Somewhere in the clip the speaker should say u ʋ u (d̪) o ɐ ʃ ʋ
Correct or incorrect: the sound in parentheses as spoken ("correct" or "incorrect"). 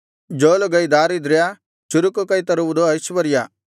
correct